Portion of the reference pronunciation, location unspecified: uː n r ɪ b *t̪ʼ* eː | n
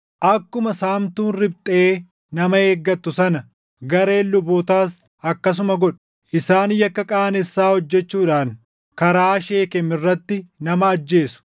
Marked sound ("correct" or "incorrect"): correct